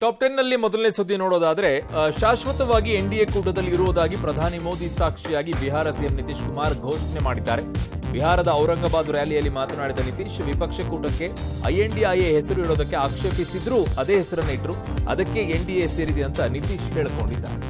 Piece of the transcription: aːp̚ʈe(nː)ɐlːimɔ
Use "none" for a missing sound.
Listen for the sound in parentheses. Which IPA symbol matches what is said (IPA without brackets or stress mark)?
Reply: nː